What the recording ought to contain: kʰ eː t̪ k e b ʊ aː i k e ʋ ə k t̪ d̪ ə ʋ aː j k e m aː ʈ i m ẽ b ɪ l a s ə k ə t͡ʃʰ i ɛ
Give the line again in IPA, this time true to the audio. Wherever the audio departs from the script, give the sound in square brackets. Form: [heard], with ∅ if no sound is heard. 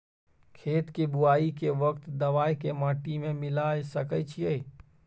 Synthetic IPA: kʰ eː t̪ k e b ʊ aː i k e ʋ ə k t̪ d̪ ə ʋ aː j k e m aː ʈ i m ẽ [m] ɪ l a s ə k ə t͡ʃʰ i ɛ